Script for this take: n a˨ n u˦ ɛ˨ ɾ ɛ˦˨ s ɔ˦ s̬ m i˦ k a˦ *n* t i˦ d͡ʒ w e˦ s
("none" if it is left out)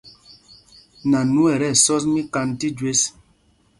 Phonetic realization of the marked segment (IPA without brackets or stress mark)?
n